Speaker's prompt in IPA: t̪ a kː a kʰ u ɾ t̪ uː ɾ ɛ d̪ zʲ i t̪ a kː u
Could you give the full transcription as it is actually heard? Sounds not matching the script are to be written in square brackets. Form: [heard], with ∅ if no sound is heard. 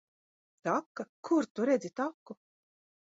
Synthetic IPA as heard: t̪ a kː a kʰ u ɾ t̪ [u] ɾ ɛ d̪ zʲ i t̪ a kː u